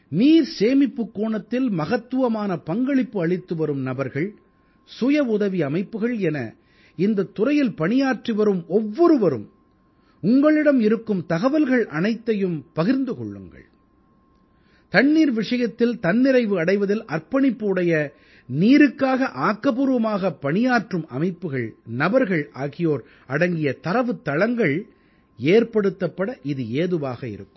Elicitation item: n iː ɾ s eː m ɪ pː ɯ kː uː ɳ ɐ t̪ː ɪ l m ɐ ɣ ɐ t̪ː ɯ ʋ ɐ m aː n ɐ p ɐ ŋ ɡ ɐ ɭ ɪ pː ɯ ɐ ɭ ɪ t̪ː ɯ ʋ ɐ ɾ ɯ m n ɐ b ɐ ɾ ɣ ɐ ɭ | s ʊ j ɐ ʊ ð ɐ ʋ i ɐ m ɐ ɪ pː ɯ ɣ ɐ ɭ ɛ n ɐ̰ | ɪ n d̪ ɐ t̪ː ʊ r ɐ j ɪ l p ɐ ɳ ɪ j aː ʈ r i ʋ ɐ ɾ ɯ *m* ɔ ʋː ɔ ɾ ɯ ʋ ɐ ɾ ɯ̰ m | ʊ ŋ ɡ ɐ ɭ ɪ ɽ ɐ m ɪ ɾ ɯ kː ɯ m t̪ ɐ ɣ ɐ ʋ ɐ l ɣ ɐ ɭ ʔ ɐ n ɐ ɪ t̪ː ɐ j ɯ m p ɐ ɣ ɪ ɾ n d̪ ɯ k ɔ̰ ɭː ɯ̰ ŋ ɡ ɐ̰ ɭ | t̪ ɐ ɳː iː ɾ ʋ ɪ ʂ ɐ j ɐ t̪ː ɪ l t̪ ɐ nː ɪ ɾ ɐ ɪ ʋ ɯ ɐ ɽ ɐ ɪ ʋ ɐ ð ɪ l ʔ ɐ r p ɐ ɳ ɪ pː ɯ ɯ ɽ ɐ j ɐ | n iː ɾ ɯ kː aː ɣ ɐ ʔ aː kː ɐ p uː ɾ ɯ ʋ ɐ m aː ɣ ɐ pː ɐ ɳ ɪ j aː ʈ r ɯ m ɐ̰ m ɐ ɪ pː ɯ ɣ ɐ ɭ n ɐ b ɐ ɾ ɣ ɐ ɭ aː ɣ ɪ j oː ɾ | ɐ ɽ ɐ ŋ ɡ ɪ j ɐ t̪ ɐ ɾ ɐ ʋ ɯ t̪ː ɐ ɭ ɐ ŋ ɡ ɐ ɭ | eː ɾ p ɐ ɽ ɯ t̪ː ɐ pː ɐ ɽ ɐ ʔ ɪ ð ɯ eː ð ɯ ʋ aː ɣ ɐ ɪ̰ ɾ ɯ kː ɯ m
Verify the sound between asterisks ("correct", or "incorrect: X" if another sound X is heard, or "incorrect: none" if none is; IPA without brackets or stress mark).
correct